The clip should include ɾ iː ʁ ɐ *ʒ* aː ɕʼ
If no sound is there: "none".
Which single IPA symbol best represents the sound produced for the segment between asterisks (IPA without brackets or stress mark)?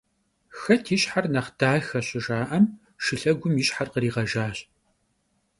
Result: ʒ